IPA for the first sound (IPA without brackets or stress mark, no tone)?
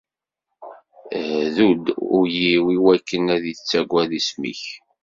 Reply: ð